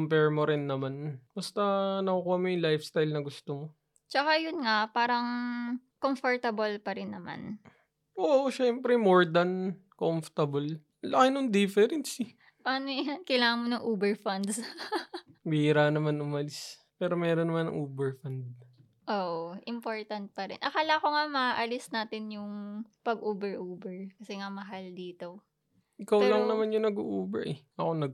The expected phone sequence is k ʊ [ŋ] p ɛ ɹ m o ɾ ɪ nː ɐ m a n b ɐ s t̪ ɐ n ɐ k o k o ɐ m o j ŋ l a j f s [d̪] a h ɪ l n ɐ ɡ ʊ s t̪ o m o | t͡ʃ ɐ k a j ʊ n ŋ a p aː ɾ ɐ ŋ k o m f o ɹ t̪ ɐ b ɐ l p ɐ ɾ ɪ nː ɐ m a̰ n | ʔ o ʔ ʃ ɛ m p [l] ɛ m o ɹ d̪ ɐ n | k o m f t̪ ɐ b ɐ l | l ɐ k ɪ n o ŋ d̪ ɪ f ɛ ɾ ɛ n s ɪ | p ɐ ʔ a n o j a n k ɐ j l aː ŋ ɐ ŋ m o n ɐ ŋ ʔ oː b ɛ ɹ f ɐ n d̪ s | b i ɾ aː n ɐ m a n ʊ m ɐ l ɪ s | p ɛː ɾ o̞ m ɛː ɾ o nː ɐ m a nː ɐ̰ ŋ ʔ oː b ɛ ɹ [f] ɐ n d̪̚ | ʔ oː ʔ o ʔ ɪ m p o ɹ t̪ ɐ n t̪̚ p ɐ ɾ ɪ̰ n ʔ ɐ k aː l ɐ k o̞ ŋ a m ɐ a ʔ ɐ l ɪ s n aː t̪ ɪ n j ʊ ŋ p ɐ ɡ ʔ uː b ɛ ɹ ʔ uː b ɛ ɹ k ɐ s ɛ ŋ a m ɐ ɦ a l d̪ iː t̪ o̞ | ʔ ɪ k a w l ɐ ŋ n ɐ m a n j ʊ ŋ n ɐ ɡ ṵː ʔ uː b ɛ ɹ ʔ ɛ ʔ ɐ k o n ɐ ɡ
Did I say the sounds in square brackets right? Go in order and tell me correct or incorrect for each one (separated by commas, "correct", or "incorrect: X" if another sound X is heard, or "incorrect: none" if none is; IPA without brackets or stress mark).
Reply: incorrect: m, incorrect: t̪, incorrect: ɾ, correct